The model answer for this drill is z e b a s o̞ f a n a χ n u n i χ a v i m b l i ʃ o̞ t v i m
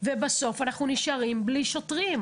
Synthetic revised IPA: v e b a s o̞ f a n a χ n u n i ʃ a ʁ i m b l i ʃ o̞ t ʁ i m